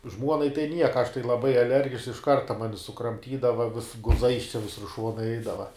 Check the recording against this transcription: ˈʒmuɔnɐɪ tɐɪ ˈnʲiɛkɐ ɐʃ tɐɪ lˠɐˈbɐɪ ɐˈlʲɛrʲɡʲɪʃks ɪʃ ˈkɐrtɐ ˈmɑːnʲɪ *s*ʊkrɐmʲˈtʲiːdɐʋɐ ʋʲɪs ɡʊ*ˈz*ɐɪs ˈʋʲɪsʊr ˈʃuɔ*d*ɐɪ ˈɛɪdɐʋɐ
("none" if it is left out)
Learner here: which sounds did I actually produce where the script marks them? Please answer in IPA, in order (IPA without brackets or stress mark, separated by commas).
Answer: s, z, n